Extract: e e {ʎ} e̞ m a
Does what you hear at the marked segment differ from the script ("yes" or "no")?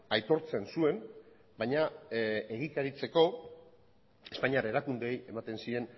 yes